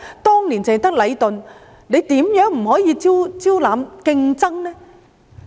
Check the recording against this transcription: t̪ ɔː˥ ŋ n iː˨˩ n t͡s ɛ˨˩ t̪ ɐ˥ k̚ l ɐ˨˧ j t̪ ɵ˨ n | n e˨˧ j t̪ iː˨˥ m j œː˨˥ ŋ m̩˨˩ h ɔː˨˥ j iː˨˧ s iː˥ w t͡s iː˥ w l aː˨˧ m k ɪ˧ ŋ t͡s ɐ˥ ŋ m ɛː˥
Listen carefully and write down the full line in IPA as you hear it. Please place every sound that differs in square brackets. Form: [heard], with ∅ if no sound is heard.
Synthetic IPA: t̪ ɔː˥ ŋ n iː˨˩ n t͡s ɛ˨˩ t̪ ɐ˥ k̚ l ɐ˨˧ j t̪ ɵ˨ n | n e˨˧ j t̪ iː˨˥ m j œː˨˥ ŋ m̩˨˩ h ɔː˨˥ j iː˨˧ [t͡s] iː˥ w t͡s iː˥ w l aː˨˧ m k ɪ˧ ŋ t͡s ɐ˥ ŋ [n] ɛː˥